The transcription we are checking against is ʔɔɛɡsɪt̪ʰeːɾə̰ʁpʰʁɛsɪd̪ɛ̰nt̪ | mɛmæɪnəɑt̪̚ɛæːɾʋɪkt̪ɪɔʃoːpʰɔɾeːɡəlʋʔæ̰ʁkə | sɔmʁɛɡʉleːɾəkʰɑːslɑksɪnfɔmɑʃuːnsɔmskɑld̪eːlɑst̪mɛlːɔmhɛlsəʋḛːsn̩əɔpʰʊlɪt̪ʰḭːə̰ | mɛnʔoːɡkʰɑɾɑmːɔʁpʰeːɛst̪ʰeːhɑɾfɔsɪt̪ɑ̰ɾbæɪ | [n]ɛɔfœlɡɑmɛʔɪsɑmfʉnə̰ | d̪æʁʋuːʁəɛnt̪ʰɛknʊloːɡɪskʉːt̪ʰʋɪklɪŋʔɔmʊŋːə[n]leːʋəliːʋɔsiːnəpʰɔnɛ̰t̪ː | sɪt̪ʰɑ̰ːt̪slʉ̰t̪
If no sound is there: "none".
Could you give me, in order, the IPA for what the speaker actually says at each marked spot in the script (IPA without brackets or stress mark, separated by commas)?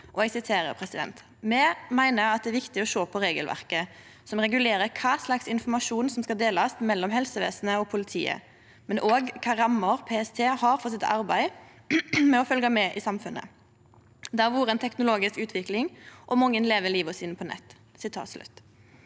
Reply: m, n